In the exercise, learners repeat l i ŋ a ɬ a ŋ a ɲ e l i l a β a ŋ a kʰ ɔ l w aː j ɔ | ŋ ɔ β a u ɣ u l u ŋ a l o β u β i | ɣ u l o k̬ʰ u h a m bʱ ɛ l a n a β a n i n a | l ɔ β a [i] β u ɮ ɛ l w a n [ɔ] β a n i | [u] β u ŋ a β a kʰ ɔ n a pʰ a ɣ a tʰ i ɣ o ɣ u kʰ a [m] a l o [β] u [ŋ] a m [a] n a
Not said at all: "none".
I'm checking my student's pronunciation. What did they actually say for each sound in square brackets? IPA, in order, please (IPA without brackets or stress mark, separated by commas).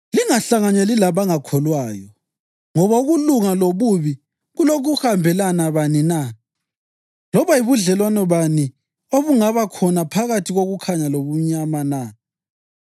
i, ɔ, o, ɲ, β, ɲ, a